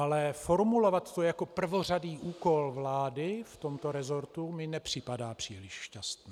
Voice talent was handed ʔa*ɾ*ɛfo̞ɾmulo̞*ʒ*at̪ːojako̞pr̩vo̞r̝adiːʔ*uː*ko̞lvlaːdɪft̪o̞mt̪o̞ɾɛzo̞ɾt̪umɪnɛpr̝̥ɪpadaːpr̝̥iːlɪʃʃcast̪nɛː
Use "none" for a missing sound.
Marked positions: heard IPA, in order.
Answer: l, v, uː

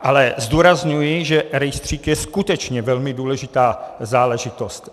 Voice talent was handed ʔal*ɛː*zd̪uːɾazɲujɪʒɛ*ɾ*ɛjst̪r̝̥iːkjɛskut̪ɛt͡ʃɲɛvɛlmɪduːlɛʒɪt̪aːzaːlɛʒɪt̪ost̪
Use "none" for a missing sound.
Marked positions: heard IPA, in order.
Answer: ɛ, ɾ

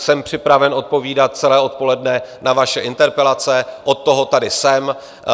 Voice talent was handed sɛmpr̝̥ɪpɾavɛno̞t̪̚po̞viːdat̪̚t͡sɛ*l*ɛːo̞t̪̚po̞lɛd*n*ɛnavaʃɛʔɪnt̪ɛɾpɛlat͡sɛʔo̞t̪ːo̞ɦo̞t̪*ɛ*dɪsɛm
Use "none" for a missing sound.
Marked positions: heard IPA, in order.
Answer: l, n, a

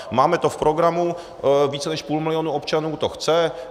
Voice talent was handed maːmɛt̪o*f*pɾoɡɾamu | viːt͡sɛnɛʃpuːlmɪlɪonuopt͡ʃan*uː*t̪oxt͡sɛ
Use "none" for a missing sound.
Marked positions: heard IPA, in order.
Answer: f, uː

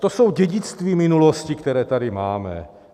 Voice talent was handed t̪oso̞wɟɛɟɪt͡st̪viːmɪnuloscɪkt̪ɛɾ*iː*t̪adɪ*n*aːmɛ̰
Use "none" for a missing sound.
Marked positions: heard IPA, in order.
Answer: ɛː, m

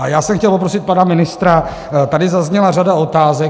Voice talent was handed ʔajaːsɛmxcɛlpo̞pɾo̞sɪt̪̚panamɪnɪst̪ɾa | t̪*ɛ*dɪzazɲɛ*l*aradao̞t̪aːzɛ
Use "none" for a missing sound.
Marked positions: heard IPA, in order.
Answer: a, l

